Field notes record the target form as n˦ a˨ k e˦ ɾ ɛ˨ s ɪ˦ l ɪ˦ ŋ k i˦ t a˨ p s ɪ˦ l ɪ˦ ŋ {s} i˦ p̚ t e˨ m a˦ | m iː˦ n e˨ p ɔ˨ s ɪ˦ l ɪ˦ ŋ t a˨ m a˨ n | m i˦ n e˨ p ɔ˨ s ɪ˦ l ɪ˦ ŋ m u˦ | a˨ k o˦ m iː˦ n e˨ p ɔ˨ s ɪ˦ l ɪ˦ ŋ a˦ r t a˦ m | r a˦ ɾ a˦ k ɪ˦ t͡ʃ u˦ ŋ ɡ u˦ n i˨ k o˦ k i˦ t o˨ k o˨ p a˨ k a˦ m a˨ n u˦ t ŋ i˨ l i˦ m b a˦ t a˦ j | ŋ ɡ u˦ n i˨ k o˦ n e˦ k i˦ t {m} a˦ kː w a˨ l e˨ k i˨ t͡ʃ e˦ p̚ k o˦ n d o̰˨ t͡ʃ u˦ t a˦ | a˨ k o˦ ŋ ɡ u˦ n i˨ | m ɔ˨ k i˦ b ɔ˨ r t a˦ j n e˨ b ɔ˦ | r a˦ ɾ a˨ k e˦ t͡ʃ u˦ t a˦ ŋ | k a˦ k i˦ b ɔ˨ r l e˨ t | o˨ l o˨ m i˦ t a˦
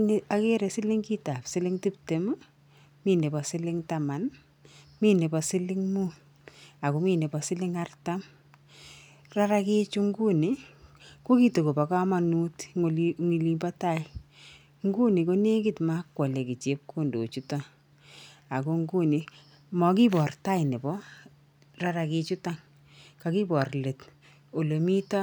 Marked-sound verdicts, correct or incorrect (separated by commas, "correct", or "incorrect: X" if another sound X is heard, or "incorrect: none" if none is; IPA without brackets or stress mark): incorrect: t, correct